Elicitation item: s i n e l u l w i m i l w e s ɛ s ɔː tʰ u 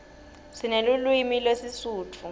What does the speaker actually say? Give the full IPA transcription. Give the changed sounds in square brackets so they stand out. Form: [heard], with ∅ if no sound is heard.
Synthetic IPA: s i n e l u l w i m i l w e s [i] s [uː] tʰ u